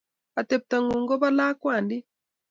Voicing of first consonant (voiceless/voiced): voiceless